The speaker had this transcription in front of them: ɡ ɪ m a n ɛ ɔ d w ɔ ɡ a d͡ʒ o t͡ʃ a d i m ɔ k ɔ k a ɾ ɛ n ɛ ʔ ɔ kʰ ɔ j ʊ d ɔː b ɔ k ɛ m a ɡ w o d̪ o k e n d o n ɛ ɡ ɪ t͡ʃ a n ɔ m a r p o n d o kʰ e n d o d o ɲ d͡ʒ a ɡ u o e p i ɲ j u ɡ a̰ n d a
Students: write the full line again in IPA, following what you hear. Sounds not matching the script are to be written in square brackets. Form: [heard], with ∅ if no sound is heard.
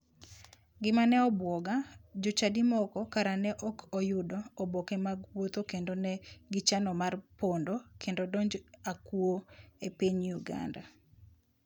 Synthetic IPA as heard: ɡ ɪ m a n ɛ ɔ [b] w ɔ ɡ a d͡ʒ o t͡ʃ a d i m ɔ k ɔ k a ɾ [a] n ɛ ʔ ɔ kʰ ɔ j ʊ d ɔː b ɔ k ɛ m a ɡ w o [t̪] o k e n d o n ɛ ɡ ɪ t͡ʃ a n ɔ m a r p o n d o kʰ e n d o d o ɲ d͡ʒ a [k] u o e p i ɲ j u ɡ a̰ n d a